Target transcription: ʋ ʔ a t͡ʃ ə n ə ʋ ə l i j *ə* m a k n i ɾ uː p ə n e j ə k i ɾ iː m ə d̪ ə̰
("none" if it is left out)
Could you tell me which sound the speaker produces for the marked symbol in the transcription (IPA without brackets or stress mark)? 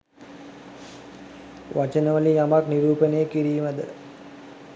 a